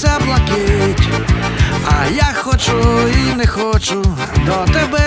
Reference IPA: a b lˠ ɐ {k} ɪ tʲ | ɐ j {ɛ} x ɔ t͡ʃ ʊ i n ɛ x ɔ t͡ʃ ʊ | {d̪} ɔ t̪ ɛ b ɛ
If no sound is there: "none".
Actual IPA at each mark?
k, a, d̪

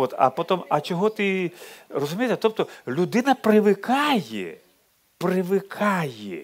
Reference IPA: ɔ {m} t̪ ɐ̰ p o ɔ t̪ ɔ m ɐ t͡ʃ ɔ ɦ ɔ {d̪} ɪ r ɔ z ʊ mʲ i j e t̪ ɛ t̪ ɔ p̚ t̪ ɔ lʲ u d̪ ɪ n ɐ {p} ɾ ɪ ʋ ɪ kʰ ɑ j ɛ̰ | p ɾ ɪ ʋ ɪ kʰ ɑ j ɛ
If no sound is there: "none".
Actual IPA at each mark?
none, t̪, p

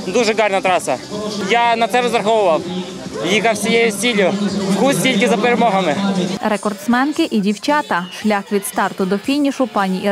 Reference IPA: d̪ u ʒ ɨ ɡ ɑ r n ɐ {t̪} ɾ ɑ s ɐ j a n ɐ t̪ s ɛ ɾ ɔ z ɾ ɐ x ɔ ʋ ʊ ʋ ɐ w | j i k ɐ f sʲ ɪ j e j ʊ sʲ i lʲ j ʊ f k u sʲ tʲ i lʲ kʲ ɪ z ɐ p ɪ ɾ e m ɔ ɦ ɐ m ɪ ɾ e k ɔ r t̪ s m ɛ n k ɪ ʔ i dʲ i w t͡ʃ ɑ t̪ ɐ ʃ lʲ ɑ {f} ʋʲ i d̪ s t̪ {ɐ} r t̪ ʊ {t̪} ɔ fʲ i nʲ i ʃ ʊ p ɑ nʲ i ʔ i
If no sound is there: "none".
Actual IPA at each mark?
t̪, x, ɑ, d̪

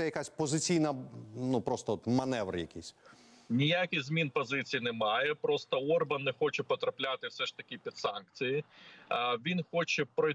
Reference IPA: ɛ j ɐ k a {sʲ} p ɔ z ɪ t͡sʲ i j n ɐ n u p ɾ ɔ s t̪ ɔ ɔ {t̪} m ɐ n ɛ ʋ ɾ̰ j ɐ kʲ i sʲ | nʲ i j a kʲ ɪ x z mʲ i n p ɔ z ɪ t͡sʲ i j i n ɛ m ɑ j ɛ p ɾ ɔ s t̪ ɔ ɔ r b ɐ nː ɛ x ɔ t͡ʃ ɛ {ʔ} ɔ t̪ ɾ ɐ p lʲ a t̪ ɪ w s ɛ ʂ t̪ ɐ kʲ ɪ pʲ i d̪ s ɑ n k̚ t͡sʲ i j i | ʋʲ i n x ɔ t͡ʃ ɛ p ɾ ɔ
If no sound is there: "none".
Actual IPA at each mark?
sʲ, t̪, p

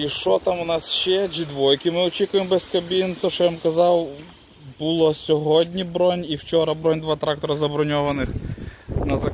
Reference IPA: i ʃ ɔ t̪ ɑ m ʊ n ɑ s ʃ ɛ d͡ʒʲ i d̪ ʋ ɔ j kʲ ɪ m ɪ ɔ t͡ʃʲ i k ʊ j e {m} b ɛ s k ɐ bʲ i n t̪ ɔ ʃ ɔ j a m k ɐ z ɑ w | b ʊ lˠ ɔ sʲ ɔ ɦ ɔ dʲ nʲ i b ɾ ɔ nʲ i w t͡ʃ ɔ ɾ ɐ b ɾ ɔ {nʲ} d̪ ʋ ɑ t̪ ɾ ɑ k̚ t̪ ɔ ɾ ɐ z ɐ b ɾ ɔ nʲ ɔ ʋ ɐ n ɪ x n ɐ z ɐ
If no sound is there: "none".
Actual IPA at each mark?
m, nʲ

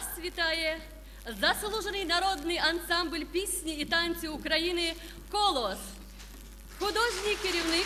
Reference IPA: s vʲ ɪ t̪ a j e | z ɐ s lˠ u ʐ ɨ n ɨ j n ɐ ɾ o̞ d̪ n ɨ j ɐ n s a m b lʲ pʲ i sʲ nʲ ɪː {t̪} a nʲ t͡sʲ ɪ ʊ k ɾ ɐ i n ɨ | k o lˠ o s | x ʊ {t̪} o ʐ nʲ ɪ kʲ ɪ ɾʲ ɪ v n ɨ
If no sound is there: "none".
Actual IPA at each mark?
t̪, d̪

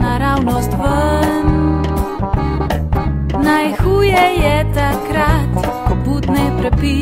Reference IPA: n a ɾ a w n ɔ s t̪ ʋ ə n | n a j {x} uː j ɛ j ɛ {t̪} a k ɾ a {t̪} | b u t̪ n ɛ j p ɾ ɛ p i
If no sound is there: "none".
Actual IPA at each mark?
x, t̪, t̪

